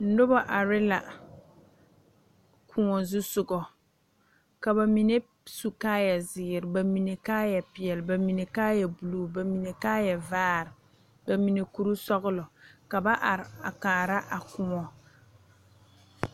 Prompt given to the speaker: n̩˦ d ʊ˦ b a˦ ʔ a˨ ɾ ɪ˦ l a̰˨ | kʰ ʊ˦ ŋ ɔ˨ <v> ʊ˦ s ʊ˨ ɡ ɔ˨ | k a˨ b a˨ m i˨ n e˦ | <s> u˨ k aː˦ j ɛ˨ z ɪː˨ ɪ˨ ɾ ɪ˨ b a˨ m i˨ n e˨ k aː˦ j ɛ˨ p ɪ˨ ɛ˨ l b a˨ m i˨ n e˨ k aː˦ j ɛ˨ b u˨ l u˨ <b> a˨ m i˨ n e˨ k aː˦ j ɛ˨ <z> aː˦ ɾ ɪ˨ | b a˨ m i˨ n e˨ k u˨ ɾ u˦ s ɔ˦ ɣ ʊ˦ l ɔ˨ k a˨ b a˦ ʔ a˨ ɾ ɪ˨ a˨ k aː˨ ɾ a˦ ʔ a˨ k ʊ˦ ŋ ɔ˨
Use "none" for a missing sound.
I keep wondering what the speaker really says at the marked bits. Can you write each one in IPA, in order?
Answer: z, s, b, v

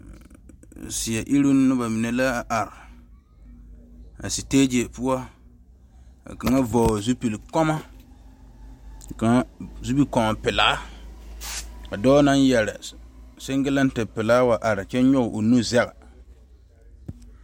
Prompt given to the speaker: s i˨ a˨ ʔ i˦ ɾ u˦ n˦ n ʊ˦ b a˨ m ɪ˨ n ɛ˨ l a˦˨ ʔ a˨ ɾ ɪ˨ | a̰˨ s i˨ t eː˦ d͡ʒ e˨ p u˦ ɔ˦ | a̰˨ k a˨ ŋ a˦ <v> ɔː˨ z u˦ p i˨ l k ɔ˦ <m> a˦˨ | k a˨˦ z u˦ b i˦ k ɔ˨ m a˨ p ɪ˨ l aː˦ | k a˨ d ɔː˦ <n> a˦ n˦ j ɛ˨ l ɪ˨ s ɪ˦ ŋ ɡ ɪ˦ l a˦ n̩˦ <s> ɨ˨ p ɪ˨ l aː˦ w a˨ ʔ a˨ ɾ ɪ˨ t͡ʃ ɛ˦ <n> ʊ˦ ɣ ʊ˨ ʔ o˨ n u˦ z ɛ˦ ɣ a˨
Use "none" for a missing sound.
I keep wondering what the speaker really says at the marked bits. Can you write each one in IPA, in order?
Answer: v, m, n, t, ɲ

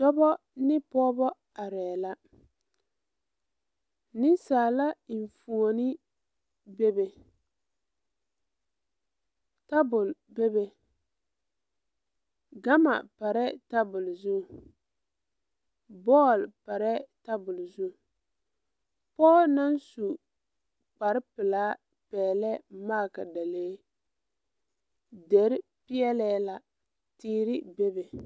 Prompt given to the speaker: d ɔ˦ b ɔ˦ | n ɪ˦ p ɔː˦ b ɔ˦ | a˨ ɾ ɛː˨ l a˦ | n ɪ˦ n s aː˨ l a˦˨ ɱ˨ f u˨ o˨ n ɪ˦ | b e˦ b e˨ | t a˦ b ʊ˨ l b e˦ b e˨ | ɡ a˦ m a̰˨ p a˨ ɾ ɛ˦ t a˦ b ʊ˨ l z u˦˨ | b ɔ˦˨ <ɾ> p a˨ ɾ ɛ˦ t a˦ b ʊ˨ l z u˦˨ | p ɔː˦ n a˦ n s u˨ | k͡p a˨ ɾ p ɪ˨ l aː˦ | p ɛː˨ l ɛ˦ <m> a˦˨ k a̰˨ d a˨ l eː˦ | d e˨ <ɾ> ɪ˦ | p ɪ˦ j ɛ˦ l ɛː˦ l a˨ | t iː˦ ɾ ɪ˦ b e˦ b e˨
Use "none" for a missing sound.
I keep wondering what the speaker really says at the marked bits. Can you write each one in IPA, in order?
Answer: l, m, ɾ

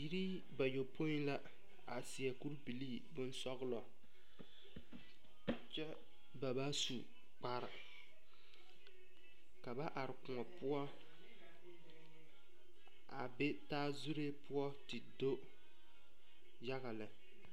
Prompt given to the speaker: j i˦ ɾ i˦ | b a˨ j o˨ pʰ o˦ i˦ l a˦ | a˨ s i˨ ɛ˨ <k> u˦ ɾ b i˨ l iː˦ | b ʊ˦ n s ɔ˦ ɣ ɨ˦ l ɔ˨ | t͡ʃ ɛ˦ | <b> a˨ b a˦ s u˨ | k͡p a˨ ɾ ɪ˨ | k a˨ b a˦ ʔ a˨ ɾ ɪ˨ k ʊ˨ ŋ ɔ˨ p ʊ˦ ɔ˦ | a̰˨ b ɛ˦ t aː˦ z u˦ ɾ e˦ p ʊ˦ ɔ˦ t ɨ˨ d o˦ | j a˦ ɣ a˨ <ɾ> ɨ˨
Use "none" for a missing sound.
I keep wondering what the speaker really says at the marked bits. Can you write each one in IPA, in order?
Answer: k, b, l

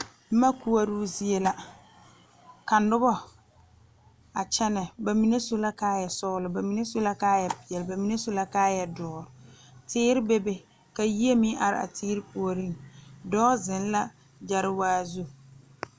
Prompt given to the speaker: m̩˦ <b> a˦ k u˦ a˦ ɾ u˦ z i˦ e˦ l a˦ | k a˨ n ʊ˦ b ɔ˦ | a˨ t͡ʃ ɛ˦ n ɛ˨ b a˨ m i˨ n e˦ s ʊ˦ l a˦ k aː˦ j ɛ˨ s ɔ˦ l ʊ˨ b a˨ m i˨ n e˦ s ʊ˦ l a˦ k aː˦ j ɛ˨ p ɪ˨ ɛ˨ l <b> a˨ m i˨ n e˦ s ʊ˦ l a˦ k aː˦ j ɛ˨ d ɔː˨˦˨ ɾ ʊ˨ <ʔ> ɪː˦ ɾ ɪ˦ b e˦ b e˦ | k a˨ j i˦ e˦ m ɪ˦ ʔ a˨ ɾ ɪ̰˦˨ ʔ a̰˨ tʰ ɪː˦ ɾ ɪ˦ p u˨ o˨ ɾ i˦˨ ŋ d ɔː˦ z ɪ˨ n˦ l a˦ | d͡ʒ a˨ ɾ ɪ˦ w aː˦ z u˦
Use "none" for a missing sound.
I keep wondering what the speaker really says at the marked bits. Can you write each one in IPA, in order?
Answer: m, b, t

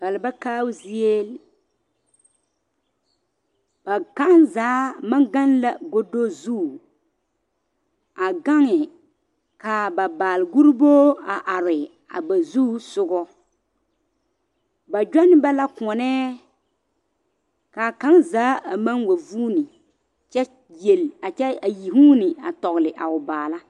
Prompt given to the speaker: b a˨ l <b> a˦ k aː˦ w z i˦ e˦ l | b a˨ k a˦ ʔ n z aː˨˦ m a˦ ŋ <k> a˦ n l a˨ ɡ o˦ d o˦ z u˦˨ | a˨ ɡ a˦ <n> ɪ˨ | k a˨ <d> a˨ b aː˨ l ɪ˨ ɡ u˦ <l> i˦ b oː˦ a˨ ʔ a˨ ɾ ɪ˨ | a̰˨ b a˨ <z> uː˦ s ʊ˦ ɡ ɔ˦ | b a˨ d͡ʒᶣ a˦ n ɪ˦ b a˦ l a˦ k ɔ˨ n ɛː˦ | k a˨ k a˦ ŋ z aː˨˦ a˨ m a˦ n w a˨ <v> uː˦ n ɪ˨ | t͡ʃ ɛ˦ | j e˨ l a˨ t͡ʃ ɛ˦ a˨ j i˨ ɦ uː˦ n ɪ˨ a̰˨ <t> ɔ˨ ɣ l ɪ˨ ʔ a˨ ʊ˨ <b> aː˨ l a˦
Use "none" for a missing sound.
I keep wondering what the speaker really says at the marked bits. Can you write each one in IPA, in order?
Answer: b, ɡ, ŋ, b, ɾ, z, v, t, b

